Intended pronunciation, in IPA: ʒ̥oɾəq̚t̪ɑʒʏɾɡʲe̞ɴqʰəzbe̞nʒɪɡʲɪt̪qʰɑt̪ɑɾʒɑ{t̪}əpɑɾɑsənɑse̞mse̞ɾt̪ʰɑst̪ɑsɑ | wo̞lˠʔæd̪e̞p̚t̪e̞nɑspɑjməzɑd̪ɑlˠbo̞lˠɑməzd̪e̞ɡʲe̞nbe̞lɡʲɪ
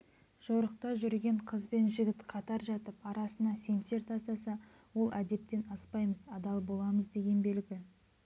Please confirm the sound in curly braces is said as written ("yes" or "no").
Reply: yes